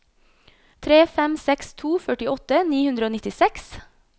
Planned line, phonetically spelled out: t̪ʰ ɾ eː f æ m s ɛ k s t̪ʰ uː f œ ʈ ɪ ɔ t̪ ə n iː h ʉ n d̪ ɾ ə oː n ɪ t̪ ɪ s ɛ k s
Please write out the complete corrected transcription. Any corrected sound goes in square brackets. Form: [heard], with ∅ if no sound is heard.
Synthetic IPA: t̪ʰ ɾ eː f [ɛ] m s ɛ k s t̪ʰ uː f œ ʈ ɪ ɔ t̪ ə n iː h ʉ n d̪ ɾ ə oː n ɪ t̪ ɪ s ɛ k s